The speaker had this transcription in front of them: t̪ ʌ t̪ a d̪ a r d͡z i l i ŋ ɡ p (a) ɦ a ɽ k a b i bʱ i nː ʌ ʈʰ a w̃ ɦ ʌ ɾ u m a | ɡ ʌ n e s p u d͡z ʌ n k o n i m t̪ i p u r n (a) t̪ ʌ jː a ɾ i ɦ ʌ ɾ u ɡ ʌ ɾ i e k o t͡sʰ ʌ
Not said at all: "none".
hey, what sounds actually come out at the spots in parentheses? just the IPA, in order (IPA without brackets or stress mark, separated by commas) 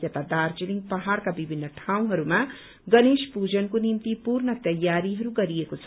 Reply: ʌ, ʌ